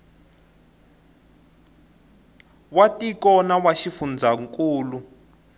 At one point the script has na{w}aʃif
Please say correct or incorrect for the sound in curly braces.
correct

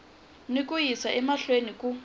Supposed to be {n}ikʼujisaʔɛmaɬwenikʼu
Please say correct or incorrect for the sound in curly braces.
correct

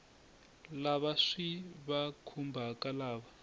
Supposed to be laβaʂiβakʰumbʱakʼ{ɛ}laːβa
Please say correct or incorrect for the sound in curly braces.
incorrect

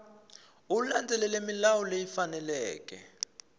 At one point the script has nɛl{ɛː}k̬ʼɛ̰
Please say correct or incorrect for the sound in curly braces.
correct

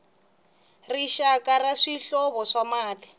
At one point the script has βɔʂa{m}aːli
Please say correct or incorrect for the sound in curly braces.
correct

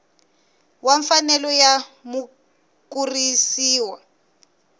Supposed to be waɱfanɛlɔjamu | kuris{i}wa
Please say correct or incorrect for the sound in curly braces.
incorrect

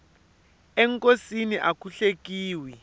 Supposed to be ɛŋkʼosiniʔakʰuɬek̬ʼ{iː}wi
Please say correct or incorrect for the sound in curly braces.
correct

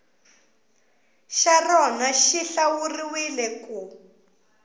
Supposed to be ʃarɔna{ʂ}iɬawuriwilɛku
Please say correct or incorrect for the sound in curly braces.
incorrect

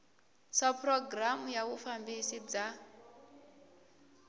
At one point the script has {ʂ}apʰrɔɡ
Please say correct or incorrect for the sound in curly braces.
incorrect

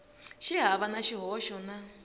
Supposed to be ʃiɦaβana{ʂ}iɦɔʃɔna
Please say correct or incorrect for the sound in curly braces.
incorrect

